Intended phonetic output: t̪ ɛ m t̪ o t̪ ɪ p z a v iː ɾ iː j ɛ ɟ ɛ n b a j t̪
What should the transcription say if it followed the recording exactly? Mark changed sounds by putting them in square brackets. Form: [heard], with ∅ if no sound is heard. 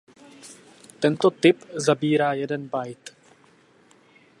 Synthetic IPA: t̪ ɛ [n] t̪ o t̪ ɪ p z a [b] iː ɾ [aː] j ɛ [d] ɛ n b a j t̪